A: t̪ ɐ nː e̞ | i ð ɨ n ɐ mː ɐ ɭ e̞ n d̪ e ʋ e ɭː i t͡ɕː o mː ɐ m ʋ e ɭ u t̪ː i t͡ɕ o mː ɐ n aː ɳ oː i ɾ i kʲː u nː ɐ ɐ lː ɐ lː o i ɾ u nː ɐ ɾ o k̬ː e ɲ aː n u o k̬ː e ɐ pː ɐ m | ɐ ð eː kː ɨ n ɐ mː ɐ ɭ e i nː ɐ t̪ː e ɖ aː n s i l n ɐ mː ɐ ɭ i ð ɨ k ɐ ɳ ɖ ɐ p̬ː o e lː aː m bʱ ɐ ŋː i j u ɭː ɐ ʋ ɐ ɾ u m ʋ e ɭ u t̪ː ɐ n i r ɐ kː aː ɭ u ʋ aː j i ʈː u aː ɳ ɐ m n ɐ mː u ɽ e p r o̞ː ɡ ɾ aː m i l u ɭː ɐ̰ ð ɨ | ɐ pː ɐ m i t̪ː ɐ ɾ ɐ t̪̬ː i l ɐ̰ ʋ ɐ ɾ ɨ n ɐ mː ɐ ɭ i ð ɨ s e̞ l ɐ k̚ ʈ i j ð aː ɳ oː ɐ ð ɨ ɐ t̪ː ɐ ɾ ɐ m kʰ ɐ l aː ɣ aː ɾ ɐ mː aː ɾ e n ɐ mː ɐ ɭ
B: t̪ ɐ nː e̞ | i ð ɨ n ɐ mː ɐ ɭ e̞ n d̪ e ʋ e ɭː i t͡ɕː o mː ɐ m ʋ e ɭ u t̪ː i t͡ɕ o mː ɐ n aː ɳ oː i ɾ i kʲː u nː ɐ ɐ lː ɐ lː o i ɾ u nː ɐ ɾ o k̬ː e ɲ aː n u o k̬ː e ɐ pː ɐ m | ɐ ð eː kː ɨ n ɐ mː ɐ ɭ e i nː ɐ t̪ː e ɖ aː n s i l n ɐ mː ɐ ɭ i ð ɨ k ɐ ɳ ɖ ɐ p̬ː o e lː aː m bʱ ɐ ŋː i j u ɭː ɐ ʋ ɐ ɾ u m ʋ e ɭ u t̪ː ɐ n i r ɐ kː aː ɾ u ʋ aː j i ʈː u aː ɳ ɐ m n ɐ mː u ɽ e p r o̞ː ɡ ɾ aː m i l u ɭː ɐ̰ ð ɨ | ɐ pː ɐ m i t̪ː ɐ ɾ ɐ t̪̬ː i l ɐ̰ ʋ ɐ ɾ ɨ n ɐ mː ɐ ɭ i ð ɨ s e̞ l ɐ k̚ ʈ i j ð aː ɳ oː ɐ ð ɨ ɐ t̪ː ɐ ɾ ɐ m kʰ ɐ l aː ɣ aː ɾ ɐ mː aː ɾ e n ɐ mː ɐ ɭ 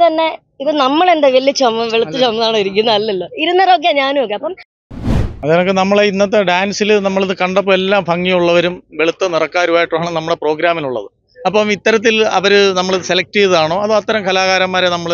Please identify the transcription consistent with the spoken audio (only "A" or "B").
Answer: B